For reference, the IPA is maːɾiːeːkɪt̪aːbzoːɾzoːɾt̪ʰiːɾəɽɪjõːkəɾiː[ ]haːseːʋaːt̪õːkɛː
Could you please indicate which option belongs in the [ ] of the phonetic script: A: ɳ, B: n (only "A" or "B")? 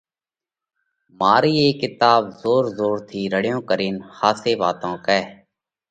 B